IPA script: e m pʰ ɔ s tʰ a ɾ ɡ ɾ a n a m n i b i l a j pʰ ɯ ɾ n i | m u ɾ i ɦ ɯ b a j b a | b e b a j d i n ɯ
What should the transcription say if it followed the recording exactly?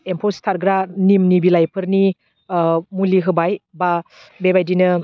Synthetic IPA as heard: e m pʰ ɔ s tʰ a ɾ ɡ ɾ a n i m n i b i l a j pʰ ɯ ɾ n i | m u l i ɦ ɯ b a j b a | b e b a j d i n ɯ